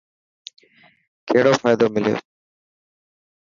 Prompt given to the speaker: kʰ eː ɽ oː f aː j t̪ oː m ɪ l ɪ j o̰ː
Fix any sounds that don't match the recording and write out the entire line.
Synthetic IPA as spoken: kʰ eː ɽ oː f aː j d̪ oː m ɪ l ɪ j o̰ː

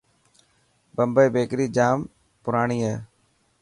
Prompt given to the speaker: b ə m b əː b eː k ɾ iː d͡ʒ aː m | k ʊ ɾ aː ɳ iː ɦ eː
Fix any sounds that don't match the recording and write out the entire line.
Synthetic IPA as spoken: b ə m b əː b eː k ɾ iː d͡ʒ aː m | p ʊ ɾ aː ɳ iː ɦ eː

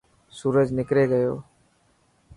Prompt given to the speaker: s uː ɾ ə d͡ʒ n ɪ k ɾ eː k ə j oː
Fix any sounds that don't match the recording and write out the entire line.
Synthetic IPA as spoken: s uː ɾ ə d͡ʒ n ɪ k ɾ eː ɡ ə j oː

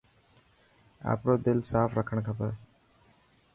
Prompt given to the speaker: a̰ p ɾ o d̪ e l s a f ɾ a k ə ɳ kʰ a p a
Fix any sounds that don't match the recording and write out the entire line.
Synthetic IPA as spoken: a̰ p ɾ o d̪ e l s a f ɾ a kʰ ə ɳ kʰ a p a

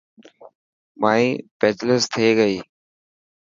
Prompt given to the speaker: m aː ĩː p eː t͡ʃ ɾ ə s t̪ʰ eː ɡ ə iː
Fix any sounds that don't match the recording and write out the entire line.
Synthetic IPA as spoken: m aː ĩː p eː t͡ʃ l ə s t̪ʰ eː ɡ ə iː

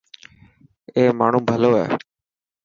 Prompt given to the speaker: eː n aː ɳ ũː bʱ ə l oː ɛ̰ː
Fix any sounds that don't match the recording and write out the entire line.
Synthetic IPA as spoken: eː m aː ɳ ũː bʱ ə l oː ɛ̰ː

